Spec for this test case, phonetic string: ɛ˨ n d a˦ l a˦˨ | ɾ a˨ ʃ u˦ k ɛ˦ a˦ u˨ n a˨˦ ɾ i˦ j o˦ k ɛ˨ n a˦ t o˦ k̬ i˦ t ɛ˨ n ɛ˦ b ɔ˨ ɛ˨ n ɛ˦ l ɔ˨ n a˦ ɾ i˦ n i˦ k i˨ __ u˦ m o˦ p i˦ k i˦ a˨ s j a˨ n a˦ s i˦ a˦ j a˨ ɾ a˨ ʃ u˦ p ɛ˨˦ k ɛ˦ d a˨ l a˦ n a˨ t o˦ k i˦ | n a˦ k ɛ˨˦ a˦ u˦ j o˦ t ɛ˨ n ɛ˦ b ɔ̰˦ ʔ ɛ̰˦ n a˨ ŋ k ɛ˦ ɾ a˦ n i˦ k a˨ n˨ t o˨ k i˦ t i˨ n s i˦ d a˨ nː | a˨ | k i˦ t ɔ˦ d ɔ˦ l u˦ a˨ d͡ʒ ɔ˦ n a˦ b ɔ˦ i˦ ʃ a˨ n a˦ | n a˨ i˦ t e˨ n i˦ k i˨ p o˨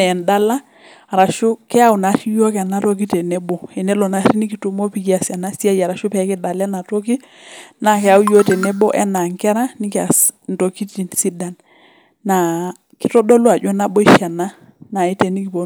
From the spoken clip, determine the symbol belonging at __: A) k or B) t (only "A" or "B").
B